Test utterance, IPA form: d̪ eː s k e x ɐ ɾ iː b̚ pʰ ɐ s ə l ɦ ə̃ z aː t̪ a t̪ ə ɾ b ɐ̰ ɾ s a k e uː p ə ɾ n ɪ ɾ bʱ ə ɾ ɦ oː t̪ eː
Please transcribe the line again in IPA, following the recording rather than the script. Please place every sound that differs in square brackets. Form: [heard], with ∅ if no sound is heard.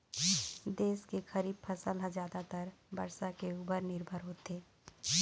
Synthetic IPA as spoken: d̪ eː s k e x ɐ ɾ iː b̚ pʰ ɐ s ə l ɦ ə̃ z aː [d̪] a t̪ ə ɾ b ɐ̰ ɾ s a k e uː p ə ɾ n ɪ ɾ bʱ ə ɾ ɦ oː t̪ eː